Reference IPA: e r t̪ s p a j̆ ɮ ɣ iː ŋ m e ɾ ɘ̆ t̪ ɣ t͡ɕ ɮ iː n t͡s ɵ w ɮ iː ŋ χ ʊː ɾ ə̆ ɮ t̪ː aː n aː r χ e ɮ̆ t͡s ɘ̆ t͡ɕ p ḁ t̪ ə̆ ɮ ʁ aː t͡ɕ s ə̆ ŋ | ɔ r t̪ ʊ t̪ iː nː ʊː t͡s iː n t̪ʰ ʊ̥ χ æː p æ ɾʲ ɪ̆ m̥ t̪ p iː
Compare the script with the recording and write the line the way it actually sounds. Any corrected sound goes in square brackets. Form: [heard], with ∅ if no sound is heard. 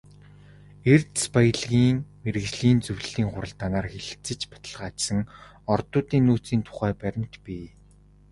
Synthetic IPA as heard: e r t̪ s p a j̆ ɮ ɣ iː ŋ m e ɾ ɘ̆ [∅] ɣ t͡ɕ ɮ iː n t͡s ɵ w ɮ iː ŋ χ [ʊ] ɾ ə̆ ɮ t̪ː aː n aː r [x] e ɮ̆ t͡s ɘ̆ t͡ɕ p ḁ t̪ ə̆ ɮ ʁ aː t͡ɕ s ə̆ ŋ | ɔ r t̪ [ʊː] t̪ iː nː [uː] t͡s iː n t̪ʰ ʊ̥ χ æː p æ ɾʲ ɪ̆ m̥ t̪ p iː

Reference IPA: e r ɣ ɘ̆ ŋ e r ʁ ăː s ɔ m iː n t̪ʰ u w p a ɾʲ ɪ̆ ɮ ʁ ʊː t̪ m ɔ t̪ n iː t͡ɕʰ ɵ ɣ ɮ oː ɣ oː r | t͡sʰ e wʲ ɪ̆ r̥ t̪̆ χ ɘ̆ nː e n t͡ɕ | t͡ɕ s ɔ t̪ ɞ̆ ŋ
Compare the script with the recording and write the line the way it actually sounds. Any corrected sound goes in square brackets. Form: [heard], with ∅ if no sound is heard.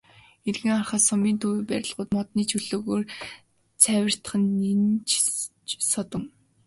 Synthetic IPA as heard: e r ɣ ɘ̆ ŋ [a] r [χ] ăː s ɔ m iː n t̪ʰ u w p [æ] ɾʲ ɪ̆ ɮ ʁ ʊː t̪ m ɔ t̪ n iː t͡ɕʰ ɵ [∅] ɮ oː ɣ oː r | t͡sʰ [æ] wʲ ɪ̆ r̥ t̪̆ χ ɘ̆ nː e n t͡ɕ | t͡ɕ s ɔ t̪ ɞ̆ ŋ

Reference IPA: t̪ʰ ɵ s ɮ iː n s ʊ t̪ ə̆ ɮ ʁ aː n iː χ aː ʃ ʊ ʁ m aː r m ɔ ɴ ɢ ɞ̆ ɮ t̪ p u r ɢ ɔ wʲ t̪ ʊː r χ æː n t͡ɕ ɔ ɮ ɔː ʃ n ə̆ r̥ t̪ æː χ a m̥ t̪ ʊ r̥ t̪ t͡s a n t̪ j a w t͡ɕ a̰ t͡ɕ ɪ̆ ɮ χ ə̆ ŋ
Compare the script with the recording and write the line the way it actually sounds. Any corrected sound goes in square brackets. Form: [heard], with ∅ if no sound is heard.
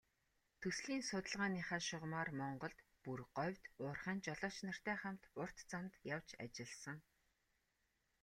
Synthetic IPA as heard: t̪ʰ ɵ s ɮ iː n s ʊ t̪ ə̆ ɮ ʁ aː n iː χ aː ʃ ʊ ʁ m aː r m ɔ ɴ ɢ ɞ̆ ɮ t̪ p u r ɢ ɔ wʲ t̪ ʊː r χ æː n t͡ɕ ɔ ɮ ɔː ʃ n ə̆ r̥ t̪ æː χ a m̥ t̪ ʊ r̥ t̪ t͡s a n t̪ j a w t͡ɕ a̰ t͡ɕ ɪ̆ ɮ [s] ə̆ ŋ

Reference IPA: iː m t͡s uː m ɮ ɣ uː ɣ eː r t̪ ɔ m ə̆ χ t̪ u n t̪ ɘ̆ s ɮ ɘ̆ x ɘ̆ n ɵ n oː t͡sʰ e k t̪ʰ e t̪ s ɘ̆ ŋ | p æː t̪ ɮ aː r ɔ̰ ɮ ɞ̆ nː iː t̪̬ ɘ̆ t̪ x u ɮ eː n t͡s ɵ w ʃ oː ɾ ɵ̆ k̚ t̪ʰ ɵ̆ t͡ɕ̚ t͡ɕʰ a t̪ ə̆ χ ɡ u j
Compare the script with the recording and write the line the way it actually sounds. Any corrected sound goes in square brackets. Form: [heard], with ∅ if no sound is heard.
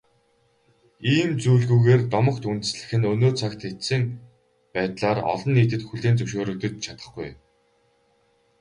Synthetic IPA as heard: iː m t͡s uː [∅] ɮ ɣ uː ɣ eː r t̪ ɔ m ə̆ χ t̪ u n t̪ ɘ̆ s ɮ ɘ̆ x ɘ̆ n ɵ n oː t͡sʰ [a] k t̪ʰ e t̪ s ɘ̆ ŋ | p æː t̪ ɮ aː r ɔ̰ ɮ ɞ̆ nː iː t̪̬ ɘ̆ t̪ x u ɮ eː n t͡s ɵ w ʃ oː ɾ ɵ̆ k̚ [t̪] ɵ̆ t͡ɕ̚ t͡ɕʰ a t̪ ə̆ χ ɡ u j

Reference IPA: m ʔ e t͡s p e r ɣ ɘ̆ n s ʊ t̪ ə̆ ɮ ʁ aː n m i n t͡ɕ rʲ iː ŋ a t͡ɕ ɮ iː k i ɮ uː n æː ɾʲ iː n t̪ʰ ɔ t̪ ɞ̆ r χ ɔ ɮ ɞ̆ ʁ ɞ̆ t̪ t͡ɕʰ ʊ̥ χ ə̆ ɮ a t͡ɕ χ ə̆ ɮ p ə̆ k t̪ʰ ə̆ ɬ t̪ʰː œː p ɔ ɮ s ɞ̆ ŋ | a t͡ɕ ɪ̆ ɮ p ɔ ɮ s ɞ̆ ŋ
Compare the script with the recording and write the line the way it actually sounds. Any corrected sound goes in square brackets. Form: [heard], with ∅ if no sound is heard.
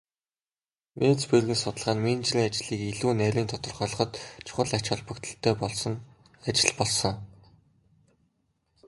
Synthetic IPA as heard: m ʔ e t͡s p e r ɣ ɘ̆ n s ʊ t̪ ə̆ ɮ ʁ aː n m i n t͡ɕ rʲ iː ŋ a t͡ɕ ɮ iː k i ɮ uː n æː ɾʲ iː n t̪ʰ ɔ t̪ ɞ̆ r χ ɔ ɮ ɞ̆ [χ] ɞ̆ t̪ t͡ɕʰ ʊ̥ χ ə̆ ɮ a t͡ɕ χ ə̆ ɮ p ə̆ k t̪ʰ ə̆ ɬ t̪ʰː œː p ɔ ɮ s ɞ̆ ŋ | a t͡ɕ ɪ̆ ɮ p ɔ ɮ s ɞ̆ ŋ

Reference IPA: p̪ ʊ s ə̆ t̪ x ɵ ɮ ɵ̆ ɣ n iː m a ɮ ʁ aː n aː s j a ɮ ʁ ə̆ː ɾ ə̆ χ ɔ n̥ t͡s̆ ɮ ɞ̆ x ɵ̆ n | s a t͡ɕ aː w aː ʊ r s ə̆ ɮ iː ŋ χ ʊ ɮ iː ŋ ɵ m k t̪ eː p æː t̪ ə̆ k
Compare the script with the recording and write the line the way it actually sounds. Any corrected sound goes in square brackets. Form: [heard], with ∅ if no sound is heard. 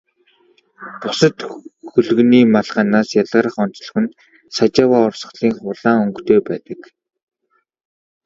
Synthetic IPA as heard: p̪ ʊ s ə̆ t̪ x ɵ ɮ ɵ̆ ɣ n iː m a ɮ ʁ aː n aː s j a ɮ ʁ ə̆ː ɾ ə̆ χ ɔ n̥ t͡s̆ ɮ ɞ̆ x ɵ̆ n | s a t͡ɕ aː w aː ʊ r s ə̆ ɮ iː ŋ χ ʊ ɮ [aː] ŋ ɵ [ŋ] k t̪ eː p æː t̪ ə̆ k

